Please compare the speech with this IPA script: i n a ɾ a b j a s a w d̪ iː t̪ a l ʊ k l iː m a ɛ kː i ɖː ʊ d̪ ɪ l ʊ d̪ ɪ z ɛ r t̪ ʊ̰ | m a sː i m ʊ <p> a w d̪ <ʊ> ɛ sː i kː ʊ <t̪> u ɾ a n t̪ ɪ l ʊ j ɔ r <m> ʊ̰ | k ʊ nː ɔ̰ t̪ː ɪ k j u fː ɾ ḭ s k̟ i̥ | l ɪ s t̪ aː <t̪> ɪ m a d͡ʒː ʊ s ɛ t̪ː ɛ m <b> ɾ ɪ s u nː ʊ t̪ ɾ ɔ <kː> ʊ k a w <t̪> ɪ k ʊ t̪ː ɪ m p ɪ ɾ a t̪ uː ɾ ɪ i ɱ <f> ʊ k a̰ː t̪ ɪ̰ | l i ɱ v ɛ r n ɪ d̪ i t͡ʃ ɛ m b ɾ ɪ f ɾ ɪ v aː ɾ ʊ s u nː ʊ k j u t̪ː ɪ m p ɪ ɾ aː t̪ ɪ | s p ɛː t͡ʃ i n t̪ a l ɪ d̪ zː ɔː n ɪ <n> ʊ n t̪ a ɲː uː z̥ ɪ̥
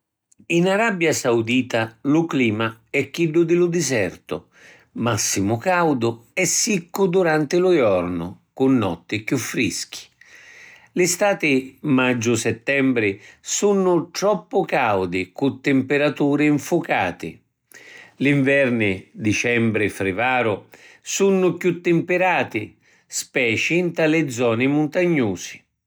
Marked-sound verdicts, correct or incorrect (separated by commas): incorrect, correct, incorrect, incorrect, correct, correct, incorrect, incorrect, correct, incorrect